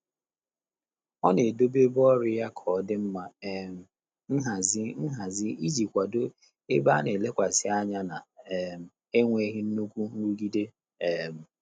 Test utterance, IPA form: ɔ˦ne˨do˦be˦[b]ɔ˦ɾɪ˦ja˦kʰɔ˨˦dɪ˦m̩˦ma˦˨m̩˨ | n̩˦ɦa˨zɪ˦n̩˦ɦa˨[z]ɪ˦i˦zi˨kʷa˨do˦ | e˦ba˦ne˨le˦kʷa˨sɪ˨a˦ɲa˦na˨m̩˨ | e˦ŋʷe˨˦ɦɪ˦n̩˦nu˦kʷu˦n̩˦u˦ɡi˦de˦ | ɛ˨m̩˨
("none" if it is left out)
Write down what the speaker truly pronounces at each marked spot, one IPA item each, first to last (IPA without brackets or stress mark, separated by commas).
b, z